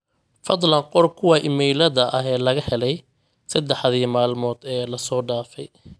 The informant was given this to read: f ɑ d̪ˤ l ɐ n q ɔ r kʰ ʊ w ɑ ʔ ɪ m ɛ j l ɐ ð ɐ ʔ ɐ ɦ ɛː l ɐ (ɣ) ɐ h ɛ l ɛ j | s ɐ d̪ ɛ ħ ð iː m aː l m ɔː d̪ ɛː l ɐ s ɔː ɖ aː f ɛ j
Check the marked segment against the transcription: correct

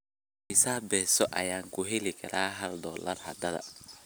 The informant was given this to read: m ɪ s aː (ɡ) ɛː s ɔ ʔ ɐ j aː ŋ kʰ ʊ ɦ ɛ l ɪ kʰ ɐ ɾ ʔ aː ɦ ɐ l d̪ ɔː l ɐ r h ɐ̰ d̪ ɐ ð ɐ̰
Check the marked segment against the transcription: incorrect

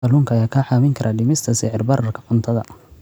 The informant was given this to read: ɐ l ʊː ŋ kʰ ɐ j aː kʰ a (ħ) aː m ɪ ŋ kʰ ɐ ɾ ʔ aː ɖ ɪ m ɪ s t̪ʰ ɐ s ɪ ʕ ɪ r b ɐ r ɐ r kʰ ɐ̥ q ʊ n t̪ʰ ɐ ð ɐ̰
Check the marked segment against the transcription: correct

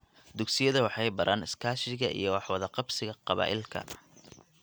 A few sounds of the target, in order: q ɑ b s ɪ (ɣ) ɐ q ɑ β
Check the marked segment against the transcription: correct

